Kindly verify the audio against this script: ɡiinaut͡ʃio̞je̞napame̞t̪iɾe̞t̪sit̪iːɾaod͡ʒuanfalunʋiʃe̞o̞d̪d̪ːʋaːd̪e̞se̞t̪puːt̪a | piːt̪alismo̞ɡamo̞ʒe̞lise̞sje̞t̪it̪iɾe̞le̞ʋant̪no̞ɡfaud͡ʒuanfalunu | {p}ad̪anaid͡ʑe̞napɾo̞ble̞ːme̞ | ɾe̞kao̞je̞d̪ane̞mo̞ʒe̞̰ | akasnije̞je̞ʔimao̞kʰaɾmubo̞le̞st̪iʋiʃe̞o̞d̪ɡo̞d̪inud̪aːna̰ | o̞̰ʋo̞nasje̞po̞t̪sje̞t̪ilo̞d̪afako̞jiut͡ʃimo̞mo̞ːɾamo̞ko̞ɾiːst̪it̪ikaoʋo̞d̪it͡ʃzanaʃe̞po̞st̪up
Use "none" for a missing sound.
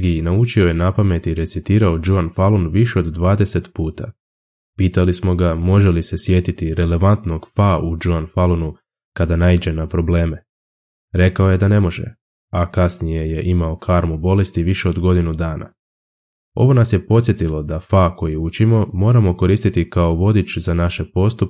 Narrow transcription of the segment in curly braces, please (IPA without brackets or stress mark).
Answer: k